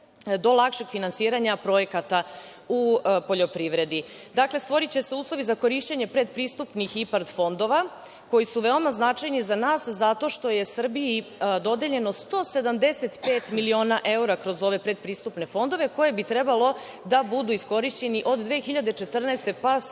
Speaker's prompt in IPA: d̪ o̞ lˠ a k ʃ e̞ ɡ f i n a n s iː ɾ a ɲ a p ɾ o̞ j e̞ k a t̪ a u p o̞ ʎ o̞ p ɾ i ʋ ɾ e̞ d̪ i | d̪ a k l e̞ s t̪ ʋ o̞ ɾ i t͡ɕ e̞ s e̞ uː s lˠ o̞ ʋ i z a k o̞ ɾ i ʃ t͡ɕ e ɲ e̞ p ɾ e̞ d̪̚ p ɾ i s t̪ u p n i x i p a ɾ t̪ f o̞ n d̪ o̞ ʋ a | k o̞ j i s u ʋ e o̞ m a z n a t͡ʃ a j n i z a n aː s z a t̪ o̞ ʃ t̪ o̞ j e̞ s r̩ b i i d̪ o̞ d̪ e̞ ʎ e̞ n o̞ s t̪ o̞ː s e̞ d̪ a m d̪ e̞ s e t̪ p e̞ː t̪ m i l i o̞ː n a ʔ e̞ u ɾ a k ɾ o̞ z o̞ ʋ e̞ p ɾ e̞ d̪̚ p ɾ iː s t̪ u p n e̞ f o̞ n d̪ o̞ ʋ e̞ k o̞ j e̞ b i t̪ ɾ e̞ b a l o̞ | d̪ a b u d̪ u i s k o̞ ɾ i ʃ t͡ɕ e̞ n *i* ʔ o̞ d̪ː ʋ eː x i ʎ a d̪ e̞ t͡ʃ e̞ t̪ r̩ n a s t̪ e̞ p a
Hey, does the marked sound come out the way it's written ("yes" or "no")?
yes